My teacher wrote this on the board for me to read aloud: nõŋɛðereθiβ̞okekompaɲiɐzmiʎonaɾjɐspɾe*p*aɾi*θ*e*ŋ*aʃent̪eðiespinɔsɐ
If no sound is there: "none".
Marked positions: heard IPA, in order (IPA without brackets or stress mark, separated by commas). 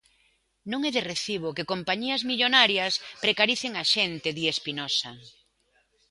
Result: k, θ, ŋ